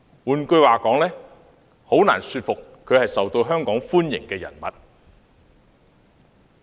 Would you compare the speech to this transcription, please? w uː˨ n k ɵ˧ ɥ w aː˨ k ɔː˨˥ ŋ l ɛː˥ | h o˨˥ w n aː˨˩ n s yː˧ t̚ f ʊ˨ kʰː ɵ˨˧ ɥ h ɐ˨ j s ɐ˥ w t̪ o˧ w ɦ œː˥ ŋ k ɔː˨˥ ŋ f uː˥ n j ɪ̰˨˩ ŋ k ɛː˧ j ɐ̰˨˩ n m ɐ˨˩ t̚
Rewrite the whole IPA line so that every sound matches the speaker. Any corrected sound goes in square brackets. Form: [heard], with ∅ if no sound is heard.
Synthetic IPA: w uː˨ n k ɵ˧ ɥ w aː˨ k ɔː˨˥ ŋ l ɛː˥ | h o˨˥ w n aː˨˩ n s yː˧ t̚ f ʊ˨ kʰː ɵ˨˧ ɥ h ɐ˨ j s [ɐ˨] w t̪ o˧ w ɦ œː˥ ŋ k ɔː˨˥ ŋ f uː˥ n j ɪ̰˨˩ ŋ k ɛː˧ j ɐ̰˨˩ n m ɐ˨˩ t̚

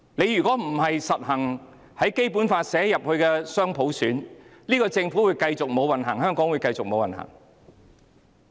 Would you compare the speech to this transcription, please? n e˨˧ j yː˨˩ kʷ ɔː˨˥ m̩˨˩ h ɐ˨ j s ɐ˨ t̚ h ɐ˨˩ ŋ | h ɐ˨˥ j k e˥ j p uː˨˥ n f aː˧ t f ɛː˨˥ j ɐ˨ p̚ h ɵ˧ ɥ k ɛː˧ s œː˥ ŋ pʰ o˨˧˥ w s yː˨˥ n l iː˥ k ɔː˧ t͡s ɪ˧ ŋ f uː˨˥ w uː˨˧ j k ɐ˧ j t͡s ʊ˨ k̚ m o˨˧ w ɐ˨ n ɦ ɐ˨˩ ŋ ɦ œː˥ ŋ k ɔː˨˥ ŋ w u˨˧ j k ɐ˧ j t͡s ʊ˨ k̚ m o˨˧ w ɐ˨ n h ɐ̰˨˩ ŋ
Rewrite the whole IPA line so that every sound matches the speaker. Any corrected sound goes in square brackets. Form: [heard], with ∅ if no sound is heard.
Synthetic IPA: n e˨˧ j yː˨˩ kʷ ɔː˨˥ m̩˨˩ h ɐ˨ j s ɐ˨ t̚ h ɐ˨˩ ŋ | h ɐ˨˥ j k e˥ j p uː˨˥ n f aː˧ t [s] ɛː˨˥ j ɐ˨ p̚ h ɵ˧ ɥ k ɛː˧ s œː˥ ŋ pʰ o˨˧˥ w s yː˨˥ n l iː˥ k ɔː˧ t͡s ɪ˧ ŋ f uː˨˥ w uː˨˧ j k ɐ˧ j t͡s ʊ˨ k̚ m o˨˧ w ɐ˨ n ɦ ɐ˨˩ ŋ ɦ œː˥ ŋ k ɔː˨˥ ŋ w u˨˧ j k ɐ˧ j t͡s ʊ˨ k̚ m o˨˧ w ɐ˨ n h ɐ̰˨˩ ŋ

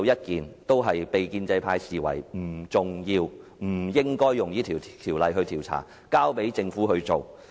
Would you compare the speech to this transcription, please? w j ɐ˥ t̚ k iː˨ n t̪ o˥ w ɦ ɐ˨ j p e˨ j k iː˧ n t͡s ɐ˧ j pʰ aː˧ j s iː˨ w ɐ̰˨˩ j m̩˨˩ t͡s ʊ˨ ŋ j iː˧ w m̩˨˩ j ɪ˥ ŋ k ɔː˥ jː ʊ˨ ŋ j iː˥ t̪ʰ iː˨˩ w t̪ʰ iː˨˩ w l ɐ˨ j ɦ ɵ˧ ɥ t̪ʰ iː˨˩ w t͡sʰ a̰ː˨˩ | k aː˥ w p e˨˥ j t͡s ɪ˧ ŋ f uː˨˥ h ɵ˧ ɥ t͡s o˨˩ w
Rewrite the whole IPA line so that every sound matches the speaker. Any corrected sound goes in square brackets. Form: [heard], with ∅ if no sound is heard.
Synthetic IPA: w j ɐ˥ t̚ k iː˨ n t̪ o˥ w ɦ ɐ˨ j p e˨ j k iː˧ n t͡s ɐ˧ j pʰ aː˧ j s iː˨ w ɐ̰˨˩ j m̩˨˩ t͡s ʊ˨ ŋ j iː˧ w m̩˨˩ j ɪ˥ ŋ k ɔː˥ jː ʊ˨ ŋ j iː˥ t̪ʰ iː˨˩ w t̪ʰ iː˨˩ w l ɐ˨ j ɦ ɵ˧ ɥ t̪ʰ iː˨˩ w t͡sʰ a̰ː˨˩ | k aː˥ w p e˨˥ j t͡s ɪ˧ ŋ f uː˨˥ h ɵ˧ ɥ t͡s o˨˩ w

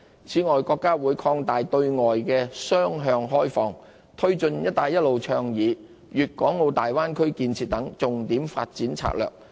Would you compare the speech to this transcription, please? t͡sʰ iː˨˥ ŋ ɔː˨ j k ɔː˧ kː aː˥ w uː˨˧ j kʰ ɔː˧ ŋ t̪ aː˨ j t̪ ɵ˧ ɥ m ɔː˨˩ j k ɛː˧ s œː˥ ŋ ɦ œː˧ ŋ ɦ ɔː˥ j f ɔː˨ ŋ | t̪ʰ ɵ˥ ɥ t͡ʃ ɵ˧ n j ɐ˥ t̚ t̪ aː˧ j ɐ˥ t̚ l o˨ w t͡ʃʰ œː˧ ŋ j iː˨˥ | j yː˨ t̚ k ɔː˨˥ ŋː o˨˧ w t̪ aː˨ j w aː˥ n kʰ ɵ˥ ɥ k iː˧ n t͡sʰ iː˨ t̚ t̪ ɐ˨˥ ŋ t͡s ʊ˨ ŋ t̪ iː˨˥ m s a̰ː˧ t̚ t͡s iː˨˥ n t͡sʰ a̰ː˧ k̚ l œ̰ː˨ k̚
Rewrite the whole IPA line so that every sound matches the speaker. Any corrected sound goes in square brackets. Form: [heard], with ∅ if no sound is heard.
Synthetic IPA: t͡sʰ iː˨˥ ŋ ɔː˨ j k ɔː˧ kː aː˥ w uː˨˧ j kʰ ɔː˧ ŋ t̪ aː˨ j t̪ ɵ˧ ɥ [ŋ] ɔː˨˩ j k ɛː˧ s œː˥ ŋ ɦ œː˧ ŋ ɦ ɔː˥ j f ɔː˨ ŋ | t̪ʰ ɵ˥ ɥ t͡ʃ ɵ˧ n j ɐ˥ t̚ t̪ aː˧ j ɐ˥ t̚ l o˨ w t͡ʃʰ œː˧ ŋ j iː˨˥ | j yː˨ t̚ k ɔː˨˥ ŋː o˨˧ w t̪ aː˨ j w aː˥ n kʰ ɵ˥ ɥ k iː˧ n t͡sʰ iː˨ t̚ t̪ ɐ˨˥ ŋ t͡s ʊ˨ ŋ t̪ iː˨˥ m [f] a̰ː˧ t̚ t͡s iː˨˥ n t͡sʰ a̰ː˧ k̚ l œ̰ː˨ k̚

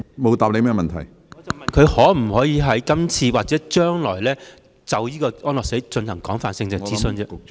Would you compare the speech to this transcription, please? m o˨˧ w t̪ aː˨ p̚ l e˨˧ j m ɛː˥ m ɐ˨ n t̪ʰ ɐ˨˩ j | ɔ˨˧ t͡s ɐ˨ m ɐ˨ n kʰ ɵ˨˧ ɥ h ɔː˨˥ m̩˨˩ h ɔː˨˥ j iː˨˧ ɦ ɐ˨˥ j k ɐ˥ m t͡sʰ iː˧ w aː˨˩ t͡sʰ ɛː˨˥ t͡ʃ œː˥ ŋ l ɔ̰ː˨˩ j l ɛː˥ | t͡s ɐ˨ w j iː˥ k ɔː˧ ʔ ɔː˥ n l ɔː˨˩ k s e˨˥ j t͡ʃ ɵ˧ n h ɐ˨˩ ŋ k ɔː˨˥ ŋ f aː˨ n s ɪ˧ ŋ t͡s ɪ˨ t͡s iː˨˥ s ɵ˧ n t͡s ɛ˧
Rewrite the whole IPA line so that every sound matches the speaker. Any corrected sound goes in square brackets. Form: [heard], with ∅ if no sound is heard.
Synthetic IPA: m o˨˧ w t̪ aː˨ p̚ l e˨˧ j m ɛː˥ m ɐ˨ n t̪ʰ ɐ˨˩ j | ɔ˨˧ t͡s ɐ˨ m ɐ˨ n kʰ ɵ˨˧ ɥ h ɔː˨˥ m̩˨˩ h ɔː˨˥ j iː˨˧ ɦ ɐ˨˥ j k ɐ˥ m t͡sʰ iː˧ w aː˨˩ [t͡s] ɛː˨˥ t͡ʃ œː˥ ŋ l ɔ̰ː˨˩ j l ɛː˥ | t͡s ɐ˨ w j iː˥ k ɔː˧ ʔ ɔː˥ n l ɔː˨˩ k s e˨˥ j t͡ʃ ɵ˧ n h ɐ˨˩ ŋ k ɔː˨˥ ŋ f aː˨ n s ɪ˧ ŋ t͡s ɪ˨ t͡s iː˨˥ s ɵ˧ n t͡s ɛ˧

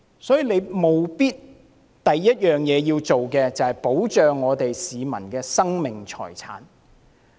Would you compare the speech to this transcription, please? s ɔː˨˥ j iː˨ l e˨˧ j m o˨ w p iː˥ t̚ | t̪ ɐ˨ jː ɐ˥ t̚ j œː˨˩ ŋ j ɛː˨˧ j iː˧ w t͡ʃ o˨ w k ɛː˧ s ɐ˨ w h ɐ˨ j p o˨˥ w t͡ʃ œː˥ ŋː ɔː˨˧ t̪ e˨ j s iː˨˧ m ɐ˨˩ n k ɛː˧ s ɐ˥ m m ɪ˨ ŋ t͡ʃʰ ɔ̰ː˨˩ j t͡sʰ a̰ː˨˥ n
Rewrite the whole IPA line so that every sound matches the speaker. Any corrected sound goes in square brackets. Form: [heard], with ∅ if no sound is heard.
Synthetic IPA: s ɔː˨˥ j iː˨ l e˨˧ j m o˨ w p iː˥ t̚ | t̪ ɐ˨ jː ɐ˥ t̚ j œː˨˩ ŋ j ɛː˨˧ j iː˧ w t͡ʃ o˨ w k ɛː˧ [t͡s] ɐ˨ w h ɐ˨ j p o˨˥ w t͡ʃ [œː˨] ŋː ɔː˨˧ t̪ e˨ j s iː˨˧ m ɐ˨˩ n k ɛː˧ s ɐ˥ [ŋ] m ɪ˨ ŋ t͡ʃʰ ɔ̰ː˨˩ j t͡sʰ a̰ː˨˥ n

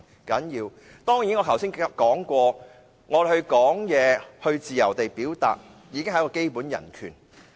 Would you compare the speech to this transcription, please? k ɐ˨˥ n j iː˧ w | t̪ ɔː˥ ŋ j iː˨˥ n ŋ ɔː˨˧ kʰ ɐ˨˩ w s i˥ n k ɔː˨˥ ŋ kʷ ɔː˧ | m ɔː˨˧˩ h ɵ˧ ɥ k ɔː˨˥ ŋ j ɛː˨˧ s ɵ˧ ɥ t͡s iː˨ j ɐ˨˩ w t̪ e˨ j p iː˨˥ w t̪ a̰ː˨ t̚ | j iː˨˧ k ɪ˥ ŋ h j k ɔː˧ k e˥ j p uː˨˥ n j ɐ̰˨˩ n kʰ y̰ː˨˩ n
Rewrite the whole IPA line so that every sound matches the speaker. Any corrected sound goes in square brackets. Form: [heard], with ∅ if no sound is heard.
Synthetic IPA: k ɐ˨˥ n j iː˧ w | t̪ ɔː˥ ŋ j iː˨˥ n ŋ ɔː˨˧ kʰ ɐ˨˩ w s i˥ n k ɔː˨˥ ŋ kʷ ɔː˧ | [ŋ] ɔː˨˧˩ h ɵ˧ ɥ k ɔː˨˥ ŋ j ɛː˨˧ [h] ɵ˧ ɥ t͡s iː˨ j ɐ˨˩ w t̪ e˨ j p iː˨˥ w t̪ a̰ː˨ t̚ | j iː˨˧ k ɪ˥ ŋ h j k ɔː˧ k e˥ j p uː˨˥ n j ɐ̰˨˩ n kʰ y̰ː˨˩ n

